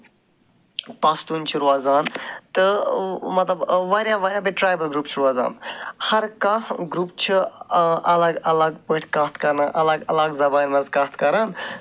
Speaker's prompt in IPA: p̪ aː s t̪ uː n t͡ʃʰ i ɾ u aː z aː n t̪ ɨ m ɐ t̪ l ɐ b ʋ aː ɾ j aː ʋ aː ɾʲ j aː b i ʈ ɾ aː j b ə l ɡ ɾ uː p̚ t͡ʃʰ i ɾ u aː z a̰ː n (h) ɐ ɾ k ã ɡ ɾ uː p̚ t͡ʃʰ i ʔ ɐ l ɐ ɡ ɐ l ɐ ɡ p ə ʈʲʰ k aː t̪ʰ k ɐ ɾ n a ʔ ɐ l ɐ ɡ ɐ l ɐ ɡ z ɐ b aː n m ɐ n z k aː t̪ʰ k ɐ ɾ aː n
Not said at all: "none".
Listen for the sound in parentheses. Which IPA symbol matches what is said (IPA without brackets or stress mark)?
h